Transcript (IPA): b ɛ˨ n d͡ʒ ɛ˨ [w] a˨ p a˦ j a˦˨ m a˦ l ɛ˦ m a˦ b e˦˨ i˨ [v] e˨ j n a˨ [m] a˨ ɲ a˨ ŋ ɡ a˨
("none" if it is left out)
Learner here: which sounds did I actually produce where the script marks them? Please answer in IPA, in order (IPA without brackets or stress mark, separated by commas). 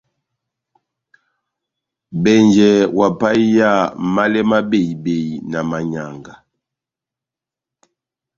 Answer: w, b, m